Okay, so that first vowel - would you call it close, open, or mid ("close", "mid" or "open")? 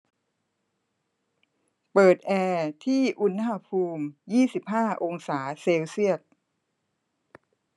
mid